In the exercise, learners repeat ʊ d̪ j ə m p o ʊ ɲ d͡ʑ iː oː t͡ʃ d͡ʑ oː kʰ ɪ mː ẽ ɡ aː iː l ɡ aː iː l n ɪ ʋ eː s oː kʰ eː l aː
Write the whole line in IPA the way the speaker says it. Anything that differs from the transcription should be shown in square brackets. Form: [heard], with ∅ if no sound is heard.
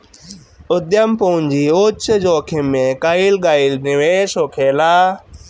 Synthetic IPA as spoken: ʊ d̪ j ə m p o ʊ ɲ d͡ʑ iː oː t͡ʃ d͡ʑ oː kʰ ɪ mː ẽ [k] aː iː l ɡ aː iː l n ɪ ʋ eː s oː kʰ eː l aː